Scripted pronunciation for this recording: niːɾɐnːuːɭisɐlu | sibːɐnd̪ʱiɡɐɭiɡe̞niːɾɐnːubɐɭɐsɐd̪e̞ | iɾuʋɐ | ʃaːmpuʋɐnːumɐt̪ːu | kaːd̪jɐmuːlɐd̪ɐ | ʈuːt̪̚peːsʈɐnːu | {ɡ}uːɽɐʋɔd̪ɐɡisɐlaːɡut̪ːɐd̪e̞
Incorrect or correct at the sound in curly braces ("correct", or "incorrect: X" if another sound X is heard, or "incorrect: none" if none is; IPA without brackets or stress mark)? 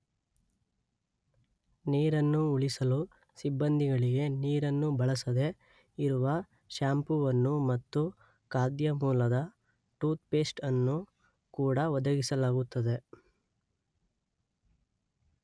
incorrect: k